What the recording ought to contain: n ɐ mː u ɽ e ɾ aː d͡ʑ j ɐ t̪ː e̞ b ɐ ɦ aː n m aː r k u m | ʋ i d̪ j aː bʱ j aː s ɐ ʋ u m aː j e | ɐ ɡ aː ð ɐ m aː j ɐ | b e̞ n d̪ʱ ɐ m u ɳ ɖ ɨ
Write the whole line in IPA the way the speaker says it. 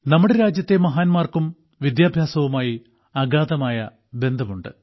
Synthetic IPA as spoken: n ɐ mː u ɽ e ɾ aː d͡ʑ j ɐ t̪ː e̞ m ɐ ɦ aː n m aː r k u m | ʋ i d̪ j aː bʱ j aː s ɐ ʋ u m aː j i | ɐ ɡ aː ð ɐ m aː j ɐ | b e̞ n d̪ʱ ɐ m u ɳ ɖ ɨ